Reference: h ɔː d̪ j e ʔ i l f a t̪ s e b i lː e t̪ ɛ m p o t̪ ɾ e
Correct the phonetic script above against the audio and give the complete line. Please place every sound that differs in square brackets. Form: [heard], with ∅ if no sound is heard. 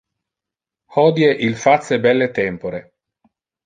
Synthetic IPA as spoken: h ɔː d̪ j e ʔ i l f a t̪ s e b [ɛ] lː e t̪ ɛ m p o [∅] ɾ e